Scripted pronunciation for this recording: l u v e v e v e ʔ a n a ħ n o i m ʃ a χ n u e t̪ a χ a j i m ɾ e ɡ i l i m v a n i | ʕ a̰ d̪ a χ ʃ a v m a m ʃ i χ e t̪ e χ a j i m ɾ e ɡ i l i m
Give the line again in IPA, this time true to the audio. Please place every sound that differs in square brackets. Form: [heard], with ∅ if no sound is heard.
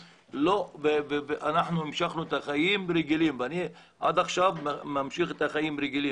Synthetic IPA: l [o] v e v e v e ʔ a n a ħ n [u] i m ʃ a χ n u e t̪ a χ a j i m ɾ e ɡ i l i m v a n i | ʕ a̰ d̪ a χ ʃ a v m a m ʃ i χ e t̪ [a] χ a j i m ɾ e ɡ i l i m

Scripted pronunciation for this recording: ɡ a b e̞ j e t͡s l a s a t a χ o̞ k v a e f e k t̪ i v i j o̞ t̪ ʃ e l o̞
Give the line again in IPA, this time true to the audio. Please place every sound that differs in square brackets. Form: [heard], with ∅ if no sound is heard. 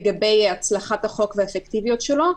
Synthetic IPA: ɡ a b e̞ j [a] t͡s l a [χ] a t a χ o̞ k v [e] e f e k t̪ i v i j o̞ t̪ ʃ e l o̞

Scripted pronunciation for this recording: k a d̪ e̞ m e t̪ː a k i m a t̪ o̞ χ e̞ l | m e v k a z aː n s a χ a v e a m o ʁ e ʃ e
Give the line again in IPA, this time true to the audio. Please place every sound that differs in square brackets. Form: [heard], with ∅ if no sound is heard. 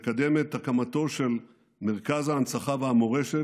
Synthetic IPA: k a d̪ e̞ m e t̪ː a k [a] m a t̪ o̞ [ʃ] e̞ l | m e [ʁ] k a z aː n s a χ a v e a m o ʁ e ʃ e

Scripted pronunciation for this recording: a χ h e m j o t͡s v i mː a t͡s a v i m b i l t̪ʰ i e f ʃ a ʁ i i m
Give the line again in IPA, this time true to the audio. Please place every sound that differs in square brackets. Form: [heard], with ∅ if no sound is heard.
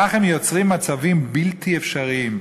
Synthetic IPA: a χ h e m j o t͡s [ʁ] i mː a t͡s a v i m b i l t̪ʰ i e f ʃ a ʁ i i m

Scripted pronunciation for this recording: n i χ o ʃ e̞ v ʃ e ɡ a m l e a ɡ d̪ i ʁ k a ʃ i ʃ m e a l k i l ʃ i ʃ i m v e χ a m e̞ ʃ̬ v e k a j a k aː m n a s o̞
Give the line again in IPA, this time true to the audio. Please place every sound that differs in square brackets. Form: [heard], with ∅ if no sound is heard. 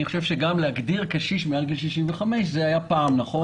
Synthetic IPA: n i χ o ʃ e̞ v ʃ e ɡ a m l e a ɡ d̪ i ʁ k a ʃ i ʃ m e a l [ɡ] i l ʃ i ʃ i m v e χ a m e̞ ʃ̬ [z] e [∅] a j a [p] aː m n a [χ] o̞

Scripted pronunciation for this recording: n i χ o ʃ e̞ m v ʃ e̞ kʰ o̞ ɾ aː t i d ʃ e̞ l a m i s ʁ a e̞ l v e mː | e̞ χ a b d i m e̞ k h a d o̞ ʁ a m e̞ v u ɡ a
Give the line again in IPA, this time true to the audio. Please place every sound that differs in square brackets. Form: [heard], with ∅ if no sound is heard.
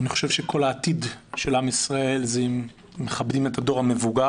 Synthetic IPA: n i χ o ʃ e̞ [∅] v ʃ e̞ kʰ o̞ [l] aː t i d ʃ e̞ l a m i s ʁ a e̞ l [z] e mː | e̞ χ a b d i m e̞ [t] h a d o̞ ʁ a m e̞ v u ɡ a

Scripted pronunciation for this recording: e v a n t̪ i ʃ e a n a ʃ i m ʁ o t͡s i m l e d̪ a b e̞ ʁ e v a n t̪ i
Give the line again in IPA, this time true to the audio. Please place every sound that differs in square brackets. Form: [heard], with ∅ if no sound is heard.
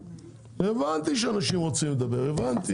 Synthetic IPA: e v a n t̪ i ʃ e a n a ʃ i m ʁ o t͡s i m l e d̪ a b e̞ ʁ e v a n t̪ i

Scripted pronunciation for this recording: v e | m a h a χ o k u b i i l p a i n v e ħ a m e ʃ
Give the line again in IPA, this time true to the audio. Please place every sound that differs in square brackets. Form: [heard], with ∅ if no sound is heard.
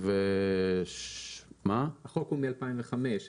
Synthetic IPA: v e | m a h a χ o k u [m] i [a] l p a i [m] v e [χ] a m e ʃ

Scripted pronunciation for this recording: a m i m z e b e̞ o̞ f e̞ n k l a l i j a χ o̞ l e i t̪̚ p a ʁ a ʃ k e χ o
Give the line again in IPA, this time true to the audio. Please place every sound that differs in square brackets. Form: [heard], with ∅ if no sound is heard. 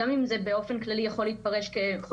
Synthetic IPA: a m i m z e b e̞ o̞ f e̞ n k l a l i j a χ o̞ l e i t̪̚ p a ʁ [e] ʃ k e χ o

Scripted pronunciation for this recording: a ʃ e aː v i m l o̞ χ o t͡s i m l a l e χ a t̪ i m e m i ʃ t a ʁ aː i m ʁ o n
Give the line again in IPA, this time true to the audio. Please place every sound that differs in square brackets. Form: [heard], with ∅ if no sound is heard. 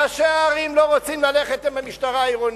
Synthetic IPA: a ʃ e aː [ʁ] i m l o̞ [ʁ] o t͡s i m l a l e χ [e] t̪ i m [a] m i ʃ t a ʁ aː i [∅] ʁ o n

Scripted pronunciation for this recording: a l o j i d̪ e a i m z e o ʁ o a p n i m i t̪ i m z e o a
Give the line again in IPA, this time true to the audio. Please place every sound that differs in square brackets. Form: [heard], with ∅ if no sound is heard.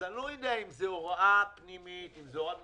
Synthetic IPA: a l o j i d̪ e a i m z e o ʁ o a p n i m i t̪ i m z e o a

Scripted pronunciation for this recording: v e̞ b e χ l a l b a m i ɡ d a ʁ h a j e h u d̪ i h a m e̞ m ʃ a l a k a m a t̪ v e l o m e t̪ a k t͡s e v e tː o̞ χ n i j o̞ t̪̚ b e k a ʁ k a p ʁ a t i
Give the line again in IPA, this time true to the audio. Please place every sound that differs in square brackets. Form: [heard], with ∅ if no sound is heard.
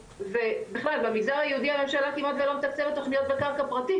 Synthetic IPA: v e̞ b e χ l a l b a m i ɡ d a ʁ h a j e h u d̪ i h a m e̞ m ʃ a l a k [i] m a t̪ v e l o m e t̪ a k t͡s e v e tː o̞ χ n i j o̞ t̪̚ b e k a ʁ k a p ʁ a t i

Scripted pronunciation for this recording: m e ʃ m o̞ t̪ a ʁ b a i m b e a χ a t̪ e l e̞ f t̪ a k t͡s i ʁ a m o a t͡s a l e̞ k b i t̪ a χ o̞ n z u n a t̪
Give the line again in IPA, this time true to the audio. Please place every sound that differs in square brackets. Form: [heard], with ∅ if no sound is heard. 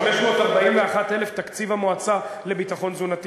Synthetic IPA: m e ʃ m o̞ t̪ a ʁ b a i m [v] e a χ a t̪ e l e̞ f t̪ a k t͡s i [v] a m o a t͡s a l e̞ [∅] b i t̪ a χ o̞ n z u n a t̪

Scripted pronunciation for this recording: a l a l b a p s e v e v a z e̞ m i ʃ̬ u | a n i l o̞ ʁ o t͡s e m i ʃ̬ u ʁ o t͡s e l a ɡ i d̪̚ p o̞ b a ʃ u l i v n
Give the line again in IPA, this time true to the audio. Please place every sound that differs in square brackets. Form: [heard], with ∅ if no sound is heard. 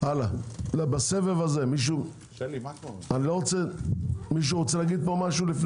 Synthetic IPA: a l a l b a [∅] s e v e v a z e̞ m i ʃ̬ u | a n i l o̞ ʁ o t͡s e m i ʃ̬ u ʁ o t͡s e l a ɡ i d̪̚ p o̞ [m] a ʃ u l i [f] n

